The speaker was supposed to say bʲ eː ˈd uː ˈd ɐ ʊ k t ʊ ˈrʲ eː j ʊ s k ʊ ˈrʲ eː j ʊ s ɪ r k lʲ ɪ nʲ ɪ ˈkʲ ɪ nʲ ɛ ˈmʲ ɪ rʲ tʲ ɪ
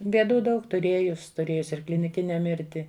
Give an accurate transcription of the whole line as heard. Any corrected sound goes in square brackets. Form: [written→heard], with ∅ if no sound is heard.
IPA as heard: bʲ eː ˈd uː ˈd ɐ ʊ k t ʊ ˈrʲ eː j ʊ s [k→t] ʊ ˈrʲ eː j ʊ s ɪ r k lʲ ɪ nʲ ɪ ˈkʲ ɪ nʲ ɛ ˈmʲ ɪ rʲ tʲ ɪ

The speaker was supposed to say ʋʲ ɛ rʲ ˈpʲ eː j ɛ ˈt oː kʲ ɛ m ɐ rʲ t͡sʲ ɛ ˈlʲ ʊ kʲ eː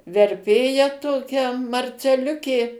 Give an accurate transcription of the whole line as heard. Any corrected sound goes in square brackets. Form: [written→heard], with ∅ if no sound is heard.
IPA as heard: ʋʲ ɛ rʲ ˈpʲ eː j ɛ ˈt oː kʲ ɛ m ɐ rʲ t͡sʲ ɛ ˈlʲ ʊ kʲ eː

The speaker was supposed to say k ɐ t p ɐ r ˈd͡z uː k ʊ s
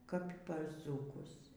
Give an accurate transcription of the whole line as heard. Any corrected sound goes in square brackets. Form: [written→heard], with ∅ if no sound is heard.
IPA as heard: k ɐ [t→p] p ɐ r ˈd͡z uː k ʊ s

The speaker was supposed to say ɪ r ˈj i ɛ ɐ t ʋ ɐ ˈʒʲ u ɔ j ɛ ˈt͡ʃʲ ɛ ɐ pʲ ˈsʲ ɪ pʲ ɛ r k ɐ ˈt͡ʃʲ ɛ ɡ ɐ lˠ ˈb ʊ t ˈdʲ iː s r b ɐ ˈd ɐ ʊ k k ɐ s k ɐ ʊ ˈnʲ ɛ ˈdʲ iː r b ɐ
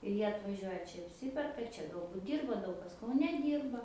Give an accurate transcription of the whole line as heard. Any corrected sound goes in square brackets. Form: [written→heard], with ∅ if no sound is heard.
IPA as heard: ɪ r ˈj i ɛ ɐ t ʋ ɐ ˈʒʲ u ɔ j ɛ ˈt͡ʃʲ ɛ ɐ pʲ ˈsʲ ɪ pʲ ɛ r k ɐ ˈt͡ʃʲ ɛ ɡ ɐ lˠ ˈb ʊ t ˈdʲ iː [s→∅] r b ɐ ˈd ɐ ʊ k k ɐ s k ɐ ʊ ˈnʲ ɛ ˈdʲ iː r b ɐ

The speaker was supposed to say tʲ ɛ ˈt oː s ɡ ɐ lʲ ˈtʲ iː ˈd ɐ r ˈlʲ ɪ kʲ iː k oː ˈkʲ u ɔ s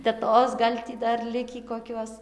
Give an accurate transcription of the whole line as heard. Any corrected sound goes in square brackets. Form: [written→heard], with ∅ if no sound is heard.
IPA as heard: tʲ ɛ ˈt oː s ɡ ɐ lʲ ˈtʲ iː ˈd ɐ r ˈlʲ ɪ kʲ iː k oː ˈkʲ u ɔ s

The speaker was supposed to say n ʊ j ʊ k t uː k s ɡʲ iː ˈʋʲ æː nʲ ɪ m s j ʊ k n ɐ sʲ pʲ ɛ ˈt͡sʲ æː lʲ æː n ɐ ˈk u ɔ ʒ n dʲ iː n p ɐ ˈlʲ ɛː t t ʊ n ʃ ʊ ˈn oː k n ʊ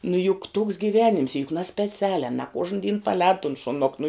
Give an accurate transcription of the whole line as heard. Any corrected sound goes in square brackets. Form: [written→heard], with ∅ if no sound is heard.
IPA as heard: n ʊ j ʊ k t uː k s ɡʲ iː ˈʋʲ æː nʲ ɪ m s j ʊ k n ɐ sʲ pʲ ɛ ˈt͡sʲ æː lʲ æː n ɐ ˈk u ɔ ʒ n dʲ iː n p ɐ ˈlʲ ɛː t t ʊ n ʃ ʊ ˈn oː k n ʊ

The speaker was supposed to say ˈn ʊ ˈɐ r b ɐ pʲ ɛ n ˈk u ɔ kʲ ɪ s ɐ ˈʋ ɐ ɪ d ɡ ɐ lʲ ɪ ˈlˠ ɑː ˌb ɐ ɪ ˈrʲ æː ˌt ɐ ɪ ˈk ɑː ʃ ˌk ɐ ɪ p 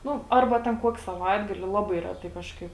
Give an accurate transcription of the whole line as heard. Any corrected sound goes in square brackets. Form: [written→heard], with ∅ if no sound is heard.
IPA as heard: ˈn ʊ ˈɐ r b ɐ [pʲ→tʲ] ɛ n ˈk u ɔ kʲ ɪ s ɐ ˈʋ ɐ ɪ d ɡ ɐ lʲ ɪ ˈlˠ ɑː ˌb ɐ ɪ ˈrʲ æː ˌt ɐ ɪ ˈk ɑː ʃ ˌk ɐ ɪ p

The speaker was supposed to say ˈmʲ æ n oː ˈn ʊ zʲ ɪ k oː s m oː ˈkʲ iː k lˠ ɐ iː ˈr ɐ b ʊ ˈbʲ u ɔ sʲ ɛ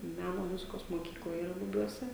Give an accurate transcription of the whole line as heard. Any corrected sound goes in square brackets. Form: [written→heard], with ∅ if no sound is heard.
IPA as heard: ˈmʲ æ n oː [ˈn→ˈm] ʊ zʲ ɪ k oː s m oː ˈkʲ iː k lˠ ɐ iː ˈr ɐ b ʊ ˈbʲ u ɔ sʲ ɛ

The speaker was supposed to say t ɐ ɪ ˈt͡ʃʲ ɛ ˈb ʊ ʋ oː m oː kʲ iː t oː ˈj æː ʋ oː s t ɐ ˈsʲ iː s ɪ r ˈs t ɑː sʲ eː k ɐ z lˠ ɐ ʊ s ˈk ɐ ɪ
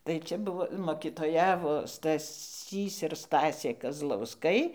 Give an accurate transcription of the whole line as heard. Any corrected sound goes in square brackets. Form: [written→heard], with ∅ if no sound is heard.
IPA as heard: t ɐ ɪ ˈt͡ʃʲ ɛ ˈb ʊ ʋ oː m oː kʲ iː t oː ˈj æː ʋ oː s t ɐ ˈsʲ iː s ɪ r ˈs t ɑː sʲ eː k ɐ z lˠ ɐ ʊ s ˈk ɐ ɪ

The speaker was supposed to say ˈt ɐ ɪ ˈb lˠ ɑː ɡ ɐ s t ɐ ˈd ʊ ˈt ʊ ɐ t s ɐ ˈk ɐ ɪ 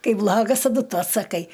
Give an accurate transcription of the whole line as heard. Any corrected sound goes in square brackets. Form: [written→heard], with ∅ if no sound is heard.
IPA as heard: [ˈt→ˈk] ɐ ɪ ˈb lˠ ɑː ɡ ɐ s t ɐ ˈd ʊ ˈt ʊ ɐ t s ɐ ˈk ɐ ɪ

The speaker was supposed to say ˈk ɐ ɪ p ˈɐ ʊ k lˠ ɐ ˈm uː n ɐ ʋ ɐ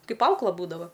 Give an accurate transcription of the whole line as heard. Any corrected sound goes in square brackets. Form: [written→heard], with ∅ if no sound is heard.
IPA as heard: ˈk ɐ ɪ p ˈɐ ʊ k lˠ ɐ [ˈm→ˈb] uː [n→d] ɐ ʋ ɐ

